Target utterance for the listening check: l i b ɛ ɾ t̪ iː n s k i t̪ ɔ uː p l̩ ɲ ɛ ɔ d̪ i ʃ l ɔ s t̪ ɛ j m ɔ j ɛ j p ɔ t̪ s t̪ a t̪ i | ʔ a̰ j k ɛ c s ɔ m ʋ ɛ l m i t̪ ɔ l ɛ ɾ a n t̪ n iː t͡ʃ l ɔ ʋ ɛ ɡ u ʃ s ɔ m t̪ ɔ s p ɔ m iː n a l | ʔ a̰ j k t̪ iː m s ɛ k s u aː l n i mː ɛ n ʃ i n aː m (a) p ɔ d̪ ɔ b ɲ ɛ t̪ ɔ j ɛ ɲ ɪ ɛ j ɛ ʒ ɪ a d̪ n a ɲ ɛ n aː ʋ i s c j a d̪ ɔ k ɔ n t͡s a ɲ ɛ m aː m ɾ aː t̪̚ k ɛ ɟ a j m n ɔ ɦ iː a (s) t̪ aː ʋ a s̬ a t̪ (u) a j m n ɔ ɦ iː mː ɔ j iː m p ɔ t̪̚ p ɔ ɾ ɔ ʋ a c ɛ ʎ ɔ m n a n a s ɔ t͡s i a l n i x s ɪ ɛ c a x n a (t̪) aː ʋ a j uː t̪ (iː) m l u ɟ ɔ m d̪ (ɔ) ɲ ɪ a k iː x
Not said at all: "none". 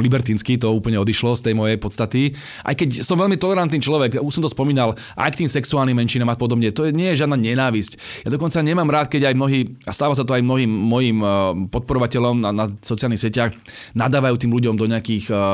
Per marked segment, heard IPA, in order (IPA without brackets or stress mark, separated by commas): a, s, ɔ, d̪, iː, ɔ